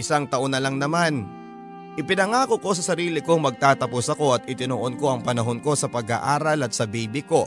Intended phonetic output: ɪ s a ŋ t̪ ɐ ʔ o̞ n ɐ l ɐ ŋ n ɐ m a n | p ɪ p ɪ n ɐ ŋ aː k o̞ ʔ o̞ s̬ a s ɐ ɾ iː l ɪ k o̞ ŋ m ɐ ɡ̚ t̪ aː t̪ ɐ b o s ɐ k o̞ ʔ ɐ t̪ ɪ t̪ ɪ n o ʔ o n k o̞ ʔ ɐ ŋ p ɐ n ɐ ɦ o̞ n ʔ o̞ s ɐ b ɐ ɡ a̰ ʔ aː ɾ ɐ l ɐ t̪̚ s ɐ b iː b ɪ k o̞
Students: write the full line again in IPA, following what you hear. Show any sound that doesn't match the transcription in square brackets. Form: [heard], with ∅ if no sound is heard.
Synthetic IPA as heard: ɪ s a ŋ t̪ ɐ ʔ o̞ n ɐ l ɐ ŋ n ɐ m a n | [ʔ] ɪ p ɪ n ɐ ŋ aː k o̞ [k] o̞ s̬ [ɐ] s ɐ ɾ iː l ɪ k o̞ ŋ m ɐ ɡ̚ t̪ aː t̪ ɐ [p] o s ɐ k o̞ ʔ ɐ t̪ ɪ t̪ ɪ n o ʔ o n k o̞ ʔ ɐ ŋ p ɐ n ɐ ɦ o̞ n [k] o̞ s ɐ [p] ɐ ɡ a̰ ʔ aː ɾ ɐ l ɐ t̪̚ s ɐ b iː b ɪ k o̞